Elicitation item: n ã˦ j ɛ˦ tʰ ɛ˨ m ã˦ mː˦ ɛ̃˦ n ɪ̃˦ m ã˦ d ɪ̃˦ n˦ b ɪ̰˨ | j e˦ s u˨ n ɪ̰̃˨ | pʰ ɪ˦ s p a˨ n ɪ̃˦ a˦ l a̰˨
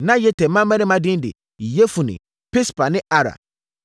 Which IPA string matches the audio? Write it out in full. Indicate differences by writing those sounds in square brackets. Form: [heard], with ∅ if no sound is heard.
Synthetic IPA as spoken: n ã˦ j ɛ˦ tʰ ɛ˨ m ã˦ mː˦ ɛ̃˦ n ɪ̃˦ m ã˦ d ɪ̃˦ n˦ [d] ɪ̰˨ | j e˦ [f] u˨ n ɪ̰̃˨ | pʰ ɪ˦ s p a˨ n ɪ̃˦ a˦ [ɾ] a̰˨